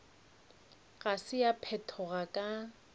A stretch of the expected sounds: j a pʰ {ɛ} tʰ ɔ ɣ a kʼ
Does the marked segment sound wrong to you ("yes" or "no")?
no